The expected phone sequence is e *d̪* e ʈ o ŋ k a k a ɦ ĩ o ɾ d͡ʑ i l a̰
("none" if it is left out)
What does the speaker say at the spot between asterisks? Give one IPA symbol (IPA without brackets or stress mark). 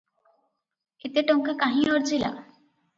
t̪